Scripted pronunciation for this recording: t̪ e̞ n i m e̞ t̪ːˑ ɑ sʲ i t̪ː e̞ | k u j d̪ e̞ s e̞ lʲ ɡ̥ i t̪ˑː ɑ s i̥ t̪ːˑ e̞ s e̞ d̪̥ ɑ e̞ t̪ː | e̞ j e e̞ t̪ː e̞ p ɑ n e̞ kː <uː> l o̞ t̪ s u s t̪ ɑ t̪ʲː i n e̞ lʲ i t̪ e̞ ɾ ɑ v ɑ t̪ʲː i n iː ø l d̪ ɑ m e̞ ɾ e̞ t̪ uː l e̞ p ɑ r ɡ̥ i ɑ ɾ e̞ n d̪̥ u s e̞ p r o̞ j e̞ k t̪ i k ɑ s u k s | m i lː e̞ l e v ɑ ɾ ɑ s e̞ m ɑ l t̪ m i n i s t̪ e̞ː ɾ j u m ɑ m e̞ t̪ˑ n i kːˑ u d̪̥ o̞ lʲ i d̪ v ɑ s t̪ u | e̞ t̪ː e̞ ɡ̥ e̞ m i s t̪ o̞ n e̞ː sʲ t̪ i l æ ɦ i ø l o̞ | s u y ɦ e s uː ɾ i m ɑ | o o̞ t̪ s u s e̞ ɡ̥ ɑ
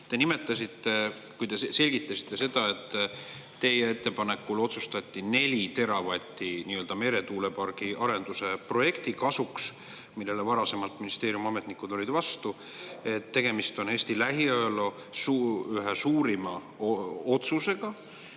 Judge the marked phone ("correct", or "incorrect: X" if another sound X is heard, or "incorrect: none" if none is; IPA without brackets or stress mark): incorrect: u